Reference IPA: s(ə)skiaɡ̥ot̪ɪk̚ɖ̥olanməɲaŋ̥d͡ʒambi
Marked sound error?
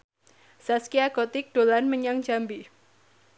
yes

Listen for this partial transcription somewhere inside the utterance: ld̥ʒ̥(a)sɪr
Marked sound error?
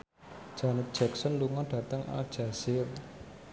no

